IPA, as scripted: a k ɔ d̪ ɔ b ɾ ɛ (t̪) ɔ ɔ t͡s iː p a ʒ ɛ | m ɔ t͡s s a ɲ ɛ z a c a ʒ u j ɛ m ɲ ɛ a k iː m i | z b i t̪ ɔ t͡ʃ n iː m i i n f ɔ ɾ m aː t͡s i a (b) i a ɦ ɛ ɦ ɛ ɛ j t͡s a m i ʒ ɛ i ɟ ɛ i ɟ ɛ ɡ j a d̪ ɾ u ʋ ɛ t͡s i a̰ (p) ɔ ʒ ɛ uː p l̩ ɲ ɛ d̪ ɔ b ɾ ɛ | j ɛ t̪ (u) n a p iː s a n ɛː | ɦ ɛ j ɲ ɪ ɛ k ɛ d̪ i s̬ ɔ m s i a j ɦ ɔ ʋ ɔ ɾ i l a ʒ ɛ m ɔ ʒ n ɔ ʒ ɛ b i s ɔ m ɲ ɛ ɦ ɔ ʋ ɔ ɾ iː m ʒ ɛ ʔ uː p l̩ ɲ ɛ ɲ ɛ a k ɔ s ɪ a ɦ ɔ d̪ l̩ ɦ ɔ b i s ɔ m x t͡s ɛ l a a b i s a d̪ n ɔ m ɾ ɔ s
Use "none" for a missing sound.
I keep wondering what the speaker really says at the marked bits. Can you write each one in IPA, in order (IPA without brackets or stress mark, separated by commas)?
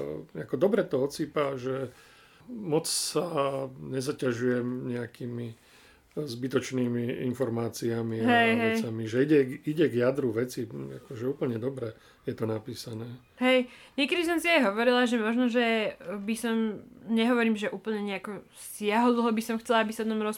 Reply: t̪, m, k, ɔ